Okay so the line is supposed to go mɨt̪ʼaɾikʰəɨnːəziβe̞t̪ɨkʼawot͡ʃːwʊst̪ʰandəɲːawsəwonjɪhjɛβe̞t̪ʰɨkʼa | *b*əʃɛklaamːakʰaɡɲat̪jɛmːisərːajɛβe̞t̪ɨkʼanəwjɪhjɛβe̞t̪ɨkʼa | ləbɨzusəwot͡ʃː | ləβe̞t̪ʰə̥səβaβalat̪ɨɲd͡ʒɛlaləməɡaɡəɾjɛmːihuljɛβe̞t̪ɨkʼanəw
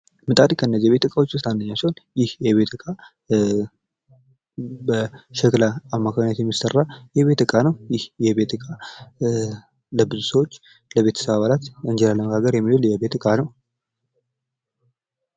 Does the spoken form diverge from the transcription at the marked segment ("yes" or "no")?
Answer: no